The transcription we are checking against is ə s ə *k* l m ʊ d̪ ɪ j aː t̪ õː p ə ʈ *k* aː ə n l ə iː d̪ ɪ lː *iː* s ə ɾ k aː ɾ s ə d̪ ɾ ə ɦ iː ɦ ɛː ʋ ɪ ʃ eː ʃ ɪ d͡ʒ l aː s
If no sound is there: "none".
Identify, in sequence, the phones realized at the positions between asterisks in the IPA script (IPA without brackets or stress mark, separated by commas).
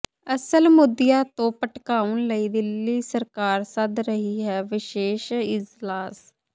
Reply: none, k, iː